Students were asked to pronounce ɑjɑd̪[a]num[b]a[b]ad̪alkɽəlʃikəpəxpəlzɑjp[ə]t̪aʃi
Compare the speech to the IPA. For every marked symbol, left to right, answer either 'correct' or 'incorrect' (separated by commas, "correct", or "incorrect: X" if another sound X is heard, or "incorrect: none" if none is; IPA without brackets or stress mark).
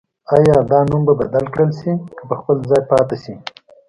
incorrect: ɑ, correct, correct, incorrect: ɑ